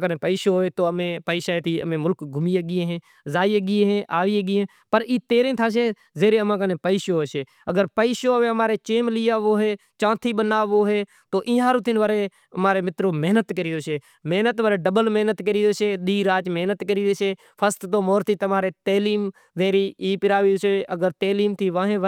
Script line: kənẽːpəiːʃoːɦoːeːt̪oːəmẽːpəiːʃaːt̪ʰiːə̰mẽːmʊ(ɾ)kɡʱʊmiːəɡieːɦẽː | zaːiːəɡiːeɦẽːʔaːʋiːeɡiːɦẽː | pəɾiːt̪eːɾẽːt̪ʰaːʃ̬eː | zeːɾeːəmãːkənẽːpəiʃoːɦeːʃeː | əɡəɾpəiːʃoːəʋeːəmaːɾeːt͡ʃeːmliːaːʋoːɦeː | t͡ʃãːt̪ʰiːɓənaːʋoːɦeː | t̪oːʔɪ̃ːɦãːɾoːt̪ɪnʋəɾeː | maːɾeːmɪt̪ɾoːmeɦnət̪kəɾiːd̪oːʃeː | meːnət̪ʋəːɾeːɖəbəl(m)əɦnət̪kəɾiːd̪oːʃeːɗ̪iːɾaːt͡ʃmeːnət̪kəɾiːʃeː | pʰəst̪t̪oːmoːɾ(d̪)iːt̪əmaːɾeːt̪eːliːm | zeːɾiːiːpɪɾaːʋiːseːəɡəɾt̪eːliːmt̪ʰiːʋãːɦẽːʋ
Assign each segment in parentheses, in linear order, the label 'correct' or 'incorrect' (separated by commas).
incorrect, correct, incorrect